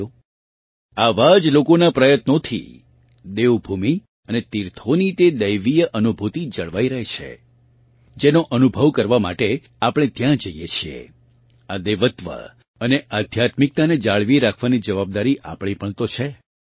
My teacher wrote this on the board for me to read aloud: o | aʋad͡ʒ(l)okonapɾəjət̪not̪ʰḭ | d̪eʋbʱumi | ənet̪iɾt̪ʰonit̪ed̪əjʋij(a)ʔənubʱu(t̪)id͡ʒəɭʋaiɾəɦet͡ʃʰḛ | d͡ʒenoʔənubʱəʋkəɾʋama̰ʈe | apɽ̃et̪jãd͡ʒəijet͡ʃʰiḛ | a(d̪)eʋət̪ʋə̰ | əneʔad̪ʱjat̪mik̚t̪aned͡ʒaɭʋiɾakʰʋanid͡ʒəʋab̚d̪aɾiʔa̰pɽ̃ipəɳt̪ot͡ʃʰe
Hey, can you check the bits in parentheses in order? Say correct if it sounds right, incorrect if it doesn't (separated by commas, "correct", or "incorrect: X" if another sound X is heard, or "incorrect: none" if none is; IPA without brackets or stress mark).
correct, incorrect: ə, correct, correct